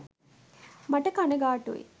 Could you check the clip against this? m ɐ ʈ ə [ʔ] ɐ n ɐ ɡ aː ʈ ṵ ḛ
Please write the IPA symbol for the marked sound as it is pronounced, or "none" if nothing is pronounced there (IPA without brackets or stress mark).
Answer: k